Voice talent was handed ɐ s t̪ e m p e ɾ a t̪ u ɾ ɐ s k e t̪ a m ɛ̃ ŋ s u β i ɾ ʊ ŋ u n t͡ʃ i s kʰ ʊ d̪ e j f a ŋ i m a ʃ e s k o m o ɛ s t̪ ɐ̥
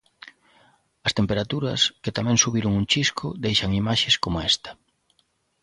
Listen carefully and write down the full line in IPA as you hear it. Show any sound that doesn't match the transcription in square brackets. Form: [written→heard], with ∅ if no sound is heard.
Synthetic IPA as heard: ɐ s t̪ e m p e ɾ a t̪ u ɾ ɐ s k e t̪ a m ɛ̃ ŋ s u β i ɾ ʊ ŋ u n t͡ʃ i s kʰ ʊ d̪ e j [f→ʃ] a ŋ i m a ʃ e s k o m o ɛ s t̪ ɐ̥